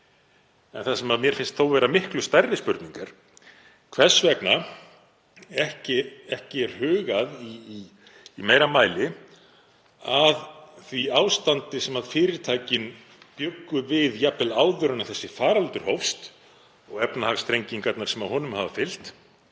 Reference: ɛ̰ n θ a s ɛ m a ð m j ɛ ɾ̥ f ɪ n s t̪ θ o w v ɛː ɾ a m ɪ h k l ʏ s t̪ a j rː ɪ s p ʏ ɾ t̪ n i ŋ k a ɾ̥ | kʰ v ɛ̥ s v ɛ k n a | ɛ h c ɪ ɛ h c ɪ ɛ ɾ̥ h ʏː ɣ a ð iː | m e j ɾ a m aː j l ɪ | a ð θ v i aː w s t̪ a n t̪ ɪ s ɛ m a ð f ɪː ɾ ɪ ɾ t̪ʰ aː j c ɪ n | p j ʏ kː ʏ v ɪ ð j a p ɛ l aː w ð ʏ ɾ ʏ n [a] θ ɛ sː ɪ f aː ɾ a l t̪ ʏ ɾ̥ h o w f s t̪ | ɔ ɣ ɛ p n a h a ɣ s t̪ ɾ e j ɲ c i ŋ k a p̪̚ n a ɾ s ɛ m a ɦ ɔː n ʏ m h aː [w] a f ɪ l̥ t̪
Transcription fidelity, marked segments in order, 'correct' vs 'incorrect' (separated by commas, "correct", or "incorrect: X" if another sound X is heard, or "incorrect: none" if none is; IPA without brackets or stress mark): correct, incorrect: v